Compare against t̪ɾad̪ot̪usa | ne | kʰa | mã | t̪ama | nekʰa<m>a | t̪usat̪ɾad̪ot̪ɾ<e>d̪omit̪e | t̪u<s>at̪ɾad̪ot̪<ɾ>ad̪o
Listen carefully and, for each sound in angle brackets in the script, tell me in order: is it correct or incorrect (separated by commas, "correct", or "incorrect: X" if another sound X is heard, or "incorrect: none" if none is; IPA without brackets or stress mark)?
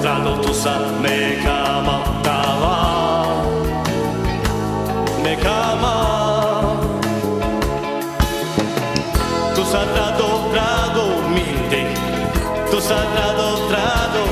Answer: correct, incorrect: a, correct, correct